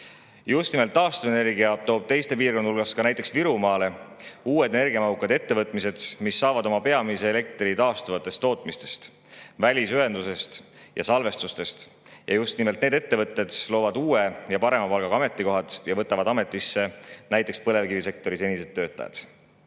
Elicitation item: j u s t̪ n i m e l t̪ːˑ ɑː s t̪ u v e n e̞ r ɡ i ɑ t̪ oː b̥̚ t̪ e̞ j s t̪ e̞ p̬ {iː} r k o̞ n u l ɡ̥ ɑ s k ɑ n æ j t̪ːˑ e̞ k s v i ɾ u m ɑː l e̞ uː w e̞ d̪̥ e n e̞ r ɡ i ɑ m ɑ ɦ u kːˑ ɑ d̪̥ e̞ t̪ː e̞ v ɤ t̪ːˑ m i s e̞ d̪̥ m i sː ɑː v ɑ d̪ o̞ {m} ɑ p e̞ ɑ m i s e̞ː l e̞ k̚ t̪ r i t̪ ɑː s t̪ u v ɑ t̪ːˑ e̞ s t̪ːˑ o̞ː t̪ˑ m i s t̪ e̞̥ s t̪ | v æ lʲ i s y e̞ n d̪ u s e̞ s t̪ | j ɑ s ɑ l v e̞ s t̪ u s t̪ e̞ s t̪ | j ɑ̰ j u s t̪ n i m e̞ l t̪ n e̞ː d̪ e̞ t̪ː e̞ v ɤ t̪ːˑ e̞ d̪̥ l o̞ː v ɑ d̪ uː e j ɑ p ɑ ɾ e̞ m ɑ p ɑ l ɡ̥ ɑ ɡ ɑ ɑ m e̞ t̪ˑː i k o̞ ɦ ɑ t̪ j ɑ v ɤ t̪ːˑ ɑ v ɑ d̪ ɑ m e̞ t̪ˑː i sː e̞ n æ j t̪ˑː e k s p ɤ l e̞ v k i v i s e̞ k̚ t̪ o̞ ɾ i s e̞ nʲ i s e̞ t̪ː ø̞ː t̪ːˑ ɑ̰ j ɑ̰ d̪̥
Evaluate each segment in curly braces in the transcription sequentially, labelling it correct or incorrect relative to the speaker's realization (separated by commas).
correct, correct